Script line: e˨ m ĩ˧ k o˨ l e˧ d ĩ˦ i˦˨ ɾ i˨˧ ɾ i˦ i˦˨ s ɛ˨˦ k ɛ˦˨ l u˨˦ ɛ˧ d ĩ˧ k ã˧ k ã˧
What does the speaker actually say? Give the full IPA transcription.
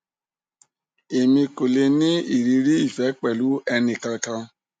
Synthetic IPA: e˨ m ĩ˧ k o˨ l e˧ n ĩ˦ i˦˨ ɾ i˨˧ ɾ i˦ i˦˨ f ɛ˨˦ k͡p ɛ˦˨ l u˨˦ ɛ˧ n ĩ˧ k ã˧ k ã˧